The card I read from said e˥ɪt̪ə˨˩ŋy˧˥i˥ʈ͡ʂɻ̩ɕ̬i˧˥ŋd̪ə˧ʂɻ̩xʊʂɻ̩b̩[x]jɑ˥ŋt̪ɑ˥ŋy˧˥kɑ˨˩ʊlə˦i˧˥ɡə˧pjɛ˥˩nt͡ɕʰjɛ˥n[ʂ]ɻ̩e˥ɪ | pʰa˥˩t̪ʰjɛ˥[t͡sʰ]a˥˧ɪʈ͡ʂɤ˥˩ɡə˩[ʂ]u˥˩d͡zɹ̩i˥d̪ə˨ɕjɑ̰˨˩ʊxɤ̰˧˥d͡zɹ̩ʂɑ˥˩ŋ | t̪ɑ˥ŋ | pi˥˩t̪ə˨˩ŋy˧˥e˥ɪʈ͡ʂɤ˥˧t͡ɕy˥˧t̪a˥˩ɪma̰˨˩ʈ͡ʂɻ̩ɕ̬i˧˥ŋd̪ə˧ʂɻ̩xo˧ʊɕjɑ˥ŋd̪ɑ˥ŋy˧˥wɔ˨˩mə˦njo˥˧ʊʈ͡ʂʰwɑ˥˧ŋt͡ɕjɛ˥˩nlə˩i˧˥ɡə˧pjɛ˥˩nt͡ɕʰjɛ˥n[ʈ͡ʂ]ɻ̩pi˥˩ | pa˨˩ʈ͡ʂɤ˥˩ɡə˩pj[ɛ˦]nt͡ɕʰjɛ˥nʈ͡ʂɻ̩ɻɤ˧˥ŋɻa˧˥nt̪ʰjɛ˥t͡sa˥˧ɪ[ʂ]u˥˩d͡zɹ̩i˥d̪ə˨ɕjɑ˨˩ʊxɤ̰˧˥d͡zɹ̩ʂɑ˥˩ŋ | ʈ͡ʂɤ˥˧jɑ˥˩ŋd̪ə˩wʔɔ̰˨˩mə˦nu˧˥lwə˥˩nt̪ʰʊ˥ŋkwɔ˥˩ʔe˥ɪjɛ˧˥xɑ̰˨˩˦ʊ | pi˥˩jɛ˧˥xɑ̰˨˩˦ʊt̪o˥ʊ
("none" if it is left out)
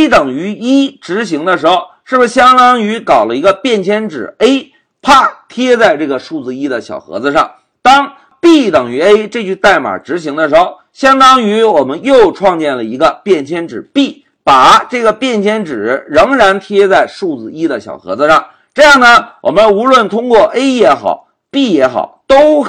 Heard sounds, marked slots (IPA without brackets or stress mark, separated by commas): ɕ, ʈ͡ʂ, t͡s, ʂ, ʈ͡ʂ, ɛ˥˩, ʂ